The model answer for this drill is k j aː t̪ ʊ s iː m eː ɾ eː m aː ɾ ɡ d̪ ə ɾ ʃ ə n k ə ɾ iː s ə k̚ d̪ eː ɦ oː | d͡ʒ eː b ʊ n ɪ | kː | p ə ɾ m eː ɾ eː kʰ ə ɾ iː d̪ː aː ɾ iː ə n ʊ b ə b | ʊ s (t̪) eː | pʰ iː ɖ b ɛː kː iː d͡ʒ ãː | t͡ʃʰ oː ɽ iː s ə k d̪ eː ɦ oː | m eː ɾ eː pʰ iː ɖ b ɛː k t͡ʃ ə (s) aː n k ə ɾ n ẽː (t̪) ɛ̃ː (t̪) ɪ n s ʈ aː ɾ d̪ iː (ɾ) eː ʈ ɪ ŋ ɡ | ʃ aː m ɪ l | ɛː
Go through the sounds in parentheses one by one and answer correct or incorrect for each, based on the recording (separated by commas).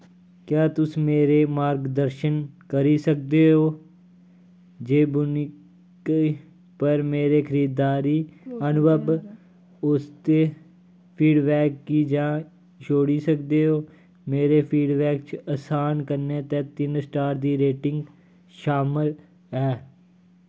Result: correct, correct, correct, correct, correct